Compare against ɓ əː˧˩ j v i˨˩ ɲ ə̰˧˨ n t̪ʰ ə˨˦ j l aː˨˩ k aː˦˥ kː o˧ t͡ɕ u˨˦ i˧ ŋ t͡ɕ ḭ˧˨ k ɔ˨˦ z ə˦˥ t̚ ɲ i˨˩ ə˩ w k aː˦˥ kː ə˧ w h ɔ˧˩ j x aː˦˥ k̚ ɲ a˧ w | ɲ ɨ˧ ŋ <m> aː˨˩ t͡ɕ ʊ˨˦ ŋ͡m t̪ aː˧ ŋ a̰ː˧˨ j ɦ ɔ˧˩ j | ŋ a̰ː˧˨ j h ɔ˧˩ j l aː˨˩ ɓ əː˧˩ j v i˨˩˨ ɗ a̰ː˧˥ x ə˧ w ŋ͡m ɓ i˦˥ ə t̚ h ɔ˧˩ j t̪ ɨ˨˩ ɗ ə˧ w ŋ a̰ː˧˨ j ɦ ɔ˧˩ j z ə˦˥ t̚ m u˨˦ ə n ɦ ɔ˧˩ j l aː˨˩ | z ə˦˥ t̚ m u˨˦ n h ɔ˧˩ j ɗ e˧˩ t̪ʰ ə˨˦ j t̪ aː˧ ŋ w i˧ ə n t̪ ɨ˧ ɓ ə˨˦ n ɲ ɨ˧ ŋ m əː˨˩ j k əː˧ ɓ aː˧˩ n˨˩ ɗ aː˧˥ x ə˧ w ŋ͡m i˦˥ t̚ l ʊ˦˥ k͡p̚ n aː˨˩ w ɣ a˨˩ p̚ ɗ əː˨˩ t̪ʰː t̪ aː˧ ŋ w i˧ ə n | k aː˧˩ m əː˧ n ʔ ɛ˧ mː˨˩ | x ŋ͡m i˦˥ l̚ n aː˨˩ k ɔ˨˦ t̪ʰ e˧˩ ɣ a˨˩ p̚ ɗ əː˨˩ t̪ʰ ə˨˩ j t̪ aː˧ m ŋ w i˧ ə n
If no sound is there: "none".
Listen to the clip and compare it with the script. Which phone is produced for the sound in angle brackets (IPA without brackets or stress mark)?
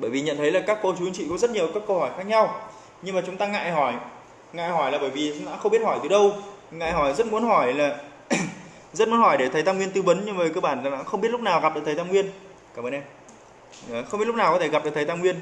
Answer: m